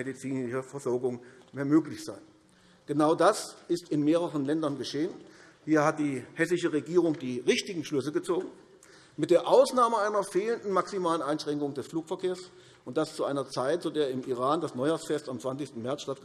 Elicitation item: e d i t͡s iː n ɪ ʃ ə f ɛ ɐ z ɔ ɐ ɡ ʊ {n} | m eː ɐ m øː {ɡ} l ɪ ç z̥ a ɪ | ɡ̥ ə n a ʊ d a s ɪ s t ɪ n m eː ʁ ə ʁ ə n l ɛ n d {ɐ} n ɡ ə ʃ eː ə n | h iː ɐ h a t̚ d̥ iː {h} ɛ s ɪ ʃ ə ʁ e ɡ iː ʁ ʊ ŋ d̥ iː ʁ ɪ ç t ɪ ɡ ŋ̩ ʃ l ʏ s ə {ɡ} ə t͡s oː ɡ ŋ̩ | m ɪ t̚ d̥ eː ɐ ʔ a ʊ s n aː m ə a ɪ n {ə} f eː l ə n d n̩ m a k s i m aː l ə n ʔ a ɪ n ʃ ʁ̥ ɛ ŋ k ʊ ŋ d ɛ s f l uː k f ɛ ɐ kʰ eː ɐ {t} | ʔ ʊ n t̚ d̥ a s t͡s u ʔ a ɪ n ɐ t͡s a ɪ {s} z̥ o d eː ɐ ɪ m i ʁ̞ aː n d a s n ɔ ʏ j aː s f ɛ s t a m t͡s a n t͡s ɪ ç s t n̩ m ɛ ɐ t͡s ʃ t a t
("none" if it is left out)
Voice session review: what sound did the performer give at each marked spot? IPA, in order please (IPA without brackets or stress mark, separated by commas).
ŋ, k, ɐ, h, ɡ, ɐ, s, t